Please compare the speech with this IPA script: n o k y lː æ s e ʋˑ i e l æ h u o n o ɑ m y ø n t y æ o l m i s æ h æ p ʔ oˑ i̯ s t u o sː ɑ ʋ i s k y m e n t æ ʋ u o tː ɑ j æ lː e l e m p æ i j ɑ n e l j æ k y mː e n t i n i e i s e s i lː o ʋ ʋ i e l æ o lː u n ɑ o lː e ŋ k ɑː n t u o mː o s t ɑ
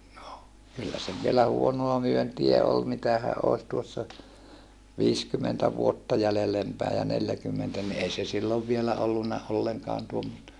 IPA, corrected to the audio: n o k y lː æ s e ʋˑ i e l æ h u o n o ɑ m y ø n t i æ o l m i t æ h æ ʔ ʔ oˑ i̯ s t u o sː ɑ ʋ iː s k y m e n t æ ʋ u o tː ɑ j æ lː e l e m p æ i j ɑ n e l j æ k y mː e n t æ n i e i s e s i lː o ʋ ʋ i e l æ o lː u nː ɑ o lː e ŋ k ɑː n t u o mː o s t ɑ